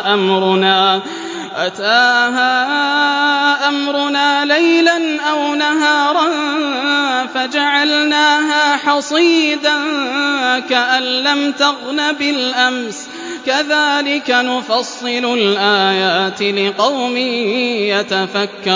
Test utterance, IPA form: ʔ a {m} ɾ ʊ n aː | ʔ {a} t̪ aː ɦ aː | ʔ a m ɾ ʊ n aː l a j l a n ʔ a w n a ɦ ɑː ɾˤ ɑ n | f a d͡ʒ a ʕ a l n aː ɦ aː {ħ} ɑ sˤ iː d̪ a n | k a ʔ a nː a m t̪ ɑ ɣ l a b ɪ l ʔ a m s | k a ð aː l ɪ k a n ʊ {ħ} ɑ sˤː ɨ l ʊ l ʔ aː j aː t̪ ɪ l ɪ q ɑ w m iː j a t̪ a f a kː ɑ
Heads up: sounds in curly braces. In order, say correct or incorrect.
correct, correct, correct, incorrect: f

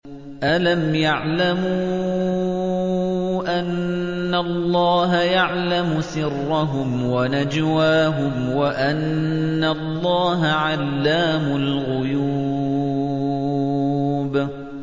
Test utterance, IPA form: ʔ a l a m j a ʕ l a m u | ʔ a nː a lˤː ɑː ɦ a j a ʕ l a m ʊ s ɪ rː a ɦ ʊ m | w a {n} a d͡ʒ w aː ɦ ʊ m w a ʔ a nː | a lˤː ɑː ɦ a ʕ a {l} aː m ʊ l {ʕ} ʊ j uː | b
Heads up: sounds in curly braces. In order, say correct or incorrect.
correct, incorrect: lː, incorrect: ɣ

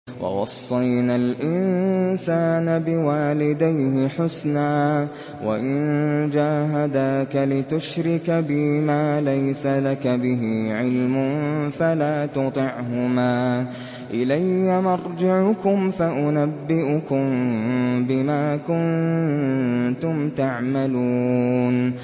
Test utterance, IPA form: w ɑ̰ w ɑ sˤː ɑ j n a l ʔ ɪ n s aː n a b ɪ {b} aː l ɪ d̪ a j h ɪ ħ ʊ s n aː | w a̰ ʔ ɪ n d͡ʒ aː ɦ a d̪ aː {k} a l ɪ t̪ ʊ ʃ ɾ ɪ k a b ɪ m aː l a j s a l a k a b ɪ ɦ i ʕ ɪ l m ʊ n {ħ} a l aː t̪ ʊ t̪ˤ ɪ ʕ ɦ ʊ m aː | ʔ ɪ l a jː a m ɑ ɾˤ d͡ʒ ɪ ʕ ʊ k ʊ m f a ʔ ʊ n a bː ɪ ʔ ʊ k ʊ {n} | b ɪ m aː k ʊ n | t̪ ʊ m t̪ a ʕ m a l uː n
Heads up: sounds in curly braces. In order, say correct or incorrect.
incorrect: w, correct, incorrect: f, incorrect: m

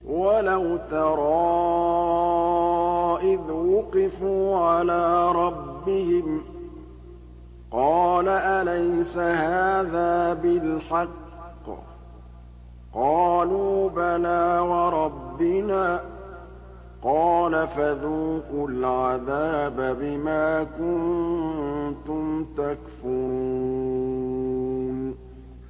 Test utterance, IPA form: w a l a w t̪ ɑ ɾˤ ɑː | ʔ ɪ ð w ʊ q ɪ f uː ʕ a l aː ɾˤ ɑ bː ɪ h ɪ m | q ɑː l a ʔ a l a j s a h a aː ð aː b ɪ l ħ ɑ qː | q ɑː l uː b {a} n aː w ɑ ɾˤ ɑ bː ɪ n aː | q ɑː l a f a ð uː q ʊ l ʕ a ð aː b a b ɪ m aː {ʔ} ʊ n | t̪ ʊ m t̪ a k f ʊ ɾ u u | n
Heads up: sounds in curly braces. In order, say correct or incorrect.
correct, incorrect: k

